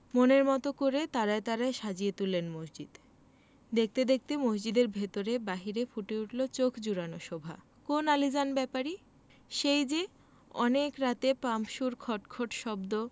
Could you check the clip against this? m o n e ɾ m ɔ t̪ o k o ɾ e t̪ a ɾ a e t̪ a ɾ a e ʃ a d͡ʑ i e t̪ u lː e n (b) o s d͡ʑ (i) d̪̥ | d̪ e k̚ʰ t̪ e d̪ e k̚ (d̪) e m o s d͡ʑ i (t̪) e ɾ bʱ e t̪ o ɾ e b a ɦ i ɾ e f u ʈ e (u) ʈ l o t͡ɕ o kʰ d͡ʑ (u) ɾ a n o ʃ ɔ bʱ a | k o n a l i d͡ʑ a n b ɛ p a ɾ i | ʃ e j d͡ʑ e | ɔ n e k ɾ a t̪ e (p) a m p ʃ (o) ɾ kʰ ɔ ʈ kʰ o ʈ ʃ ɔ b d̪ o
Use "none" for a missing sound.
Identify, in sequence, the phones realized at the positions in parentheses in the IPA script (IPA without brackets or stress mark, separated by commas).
m, i, t̪, d̪, u, u, p, u